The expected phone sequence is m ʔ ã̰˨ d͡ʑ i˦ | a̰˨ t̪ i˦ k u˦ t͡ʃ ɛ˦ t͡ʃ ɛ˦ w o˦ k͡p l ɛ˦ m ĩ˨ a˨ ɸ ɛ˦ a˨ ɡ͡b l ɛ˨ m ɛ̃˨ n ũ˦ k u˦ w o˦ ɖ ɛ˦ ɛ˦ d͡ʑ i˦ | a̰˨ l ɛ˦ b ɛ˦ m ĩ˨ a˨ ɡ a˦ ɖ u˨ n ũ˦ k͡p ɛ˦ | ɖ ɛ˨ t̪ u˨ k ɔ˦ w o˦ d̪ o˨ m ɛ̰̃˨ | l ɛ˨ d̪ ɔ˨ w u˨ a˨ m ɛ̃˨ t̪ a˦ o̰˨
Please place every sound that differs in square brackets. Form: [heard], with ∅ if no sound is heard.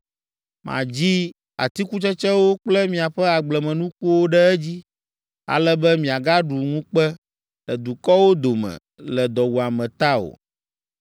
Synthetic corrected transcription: m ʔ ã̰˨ d͡ʑ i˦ | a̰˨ t̪ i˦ k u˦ t͡ʃ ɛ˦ t͡ʃ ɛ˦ w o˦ k͡p l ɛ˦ m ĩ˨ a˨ ɸ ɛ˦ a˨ ɡ͡b l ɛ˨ m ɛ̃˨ n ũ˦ k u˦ w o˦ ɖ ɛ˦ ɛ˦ d͡ʑ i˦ | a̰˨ l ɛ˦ b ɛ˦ m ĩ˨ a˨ ɡ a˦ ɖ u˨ [ŋ] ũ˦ k͡p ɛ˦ | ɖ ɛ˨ [d̪] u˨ k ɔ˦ w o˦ d̪ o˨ m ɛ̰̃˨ | l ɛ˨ d̪ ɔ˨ w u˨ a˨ m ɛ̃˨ t̪ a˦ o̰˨